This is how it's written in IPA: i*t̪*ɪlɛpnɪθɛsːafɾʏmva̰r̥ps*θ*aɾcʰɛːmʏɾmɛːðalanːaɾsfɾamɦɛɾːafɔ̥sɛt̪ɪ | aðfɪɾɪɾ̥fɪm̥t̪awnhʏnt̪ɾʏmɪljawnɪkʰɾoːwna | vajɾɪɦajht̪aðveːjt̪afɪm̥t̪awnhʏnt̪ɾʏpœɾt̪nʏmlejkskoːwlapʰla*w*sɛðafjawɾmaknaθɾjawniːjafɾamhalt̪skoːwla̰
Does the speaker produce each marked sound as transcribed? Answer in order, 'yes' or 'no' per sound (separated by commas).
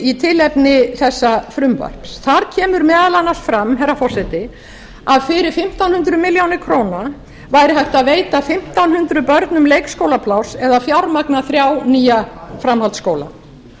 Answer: no, yes, yes